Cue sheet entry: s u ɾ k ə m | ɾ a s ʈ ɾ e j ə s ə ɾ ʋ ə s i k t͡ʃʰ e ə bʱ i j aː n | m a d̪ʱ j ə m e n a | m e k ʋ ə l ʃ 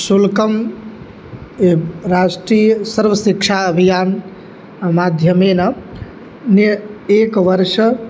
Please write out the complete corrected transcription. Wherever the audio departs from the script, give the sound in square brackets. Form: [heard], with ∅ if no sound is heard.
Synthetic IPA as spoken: s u [l] k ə m | ɾ a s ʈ ɾ [i] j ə s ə ɾ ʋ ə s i k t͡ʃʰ [a] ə bʱ i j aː n | m a d̪ʱ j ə m e n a | [n] e k ʋ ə [ɾ] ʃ